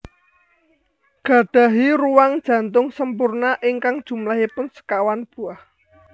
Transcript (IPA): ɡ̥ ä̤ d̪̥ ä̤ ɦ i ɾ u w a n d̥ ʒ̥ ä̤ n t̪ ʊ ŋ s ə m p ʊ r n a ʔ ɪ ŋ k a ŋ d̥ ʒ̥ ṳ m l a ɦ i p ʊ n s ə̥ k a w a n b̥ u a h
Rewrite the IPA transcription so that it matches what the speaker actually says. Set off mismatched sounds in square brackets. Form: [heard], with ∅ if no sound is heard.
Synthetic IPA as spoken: ɡ̥ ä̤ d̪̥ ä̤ ɦ i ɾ u w a [ŋ] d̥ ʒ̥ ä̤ n t̪ ʊ ŋ s ə m p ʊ r n a ʔ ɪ ŋ k a ŋ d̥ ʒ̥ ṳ m l a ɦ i p ʊ n s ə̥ k a w a n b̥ u a h